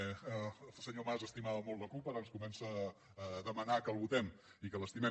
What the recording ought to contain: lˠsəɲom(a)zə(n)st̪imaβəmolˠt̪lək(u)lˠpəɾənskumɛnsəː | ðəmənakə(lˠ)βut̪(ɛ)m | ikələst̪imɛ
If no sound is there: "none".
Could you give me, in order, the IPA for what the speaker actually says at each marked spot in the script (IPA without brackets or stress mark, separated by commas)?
a, none, u, lˠ, ɛ